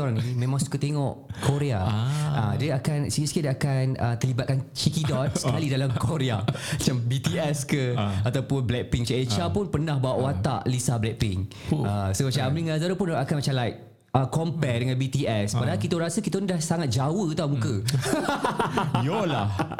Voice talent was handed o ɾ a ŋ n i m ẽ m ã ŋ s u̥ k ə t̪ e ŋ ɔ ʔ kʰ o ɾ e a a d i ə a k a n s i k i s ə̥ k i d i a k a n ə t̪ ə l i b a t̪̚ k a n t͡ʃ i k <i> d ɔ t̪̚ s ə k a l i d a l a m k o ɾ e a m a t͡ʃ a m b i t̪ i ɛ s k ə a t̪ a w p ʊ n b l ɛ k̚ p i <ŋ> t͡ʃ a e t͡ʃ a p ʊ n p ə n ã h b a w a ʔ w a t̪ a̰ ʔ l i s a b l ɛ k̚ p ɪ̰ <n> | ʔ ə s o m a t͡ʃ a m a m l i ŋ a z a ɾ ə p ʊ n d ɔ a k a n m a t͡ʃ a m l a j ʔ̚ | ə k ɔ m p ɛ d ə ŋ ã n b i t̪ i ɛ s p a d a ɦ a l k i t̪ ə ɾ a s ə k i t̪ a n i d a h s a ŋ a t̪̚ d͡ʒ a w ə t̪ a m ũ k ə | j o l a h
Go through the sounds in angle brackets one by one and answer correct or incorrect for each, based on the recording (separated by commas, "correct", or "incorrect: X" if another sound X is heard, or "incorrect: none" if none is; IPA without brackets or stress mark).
correct, correct, incorrect: ŋ